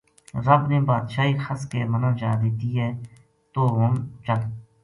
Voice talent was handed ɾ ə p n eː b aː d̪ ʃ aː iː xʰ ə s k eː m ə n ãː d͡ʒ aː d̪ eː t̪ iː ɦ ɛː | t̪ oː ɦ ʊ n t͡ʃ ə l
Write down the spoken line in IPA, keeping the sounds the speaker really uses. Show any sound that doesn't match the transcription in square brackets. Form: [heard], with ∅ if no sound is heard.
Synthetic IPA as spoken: ɾ ə [b] n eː b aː d̪ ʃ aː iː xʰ ə s k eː m ə n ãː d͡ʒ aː d̪ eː t̪ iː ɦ ɛː | t̪ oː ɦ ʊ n t͡ʃ ə l